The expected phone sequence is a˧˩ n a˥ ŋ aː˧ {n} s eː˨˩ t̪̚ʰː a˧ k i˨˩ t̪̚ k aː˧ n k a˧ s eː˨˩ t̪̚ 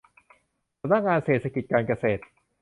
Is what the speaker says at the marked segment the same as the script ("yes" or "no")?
yes